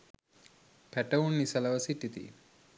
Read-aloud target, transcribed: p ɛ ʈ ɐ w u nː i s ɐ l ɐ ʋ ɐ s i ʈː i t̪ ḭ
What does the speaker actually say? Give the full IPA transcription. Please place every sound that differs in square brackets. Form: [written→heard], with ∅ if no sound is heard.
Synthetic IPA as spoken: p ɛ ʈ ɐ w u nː i s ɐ l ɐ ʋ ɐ s i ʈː i t̪ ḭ